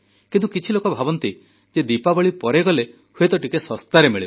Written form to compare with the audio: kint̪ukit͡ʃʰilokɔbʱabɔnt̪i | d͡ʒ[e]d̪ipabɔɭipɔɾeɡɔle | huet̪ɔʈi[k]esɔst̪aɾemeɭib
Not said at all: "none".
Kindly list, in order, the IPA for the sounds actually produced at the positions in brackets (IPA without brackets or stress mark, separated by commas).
e, k